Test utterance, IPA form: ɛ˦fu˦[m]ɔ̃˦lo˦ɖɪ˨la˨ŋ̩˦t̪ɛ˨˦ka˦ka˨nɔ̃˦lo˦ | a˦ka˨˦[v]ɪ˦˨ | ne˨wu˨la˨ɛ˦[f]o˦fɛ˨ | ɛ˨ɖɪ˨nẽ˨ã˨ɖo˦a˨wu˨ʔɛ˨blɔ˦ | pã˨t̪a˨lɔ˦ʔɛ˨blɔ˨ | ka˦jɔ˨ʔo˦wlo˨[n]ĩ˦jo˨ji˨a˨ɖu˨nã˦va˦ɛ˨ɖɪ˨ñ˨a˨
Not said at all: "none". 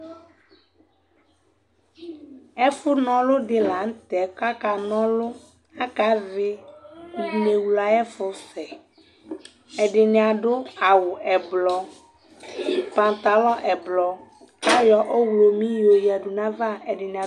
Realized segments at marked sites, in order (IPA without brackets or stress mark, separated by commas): n, v, f, m